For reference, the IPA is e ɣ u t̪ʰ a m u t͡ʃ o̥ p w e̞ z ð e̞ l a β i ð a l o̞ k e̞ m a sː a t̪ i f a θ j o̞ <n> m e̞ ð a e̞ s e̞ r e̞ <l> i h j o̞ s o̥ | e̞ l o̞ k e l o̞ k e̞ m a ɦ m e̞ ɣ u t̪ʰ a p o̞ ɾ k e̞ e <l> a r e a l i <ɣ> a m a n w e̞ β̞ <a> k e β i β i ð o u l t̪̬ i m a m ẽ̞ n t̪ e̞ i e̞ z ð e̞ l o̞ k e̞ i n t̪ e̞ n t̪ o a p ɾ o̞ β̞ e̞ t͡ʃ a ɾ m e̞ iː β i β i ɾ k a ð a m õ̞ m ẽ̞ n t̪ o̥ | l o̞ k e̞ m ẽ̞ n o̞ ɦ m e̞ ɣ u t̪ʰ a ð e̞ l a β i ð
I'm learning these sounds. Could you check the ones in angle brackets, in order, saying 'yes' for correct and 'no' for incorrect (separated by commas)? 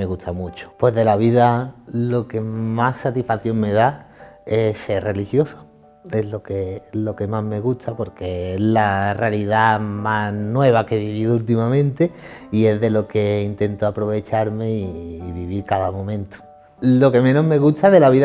no, yes, yes, no, yes